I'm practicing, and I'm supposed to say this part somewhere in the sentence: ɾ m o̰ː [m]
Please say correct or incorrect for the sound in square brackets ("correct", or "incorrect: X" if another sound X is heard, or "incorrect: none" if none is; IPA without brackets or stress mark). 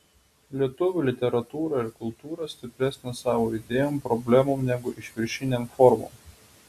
correct